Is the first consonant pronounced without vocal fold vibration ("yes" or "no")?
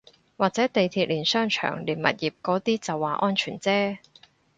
no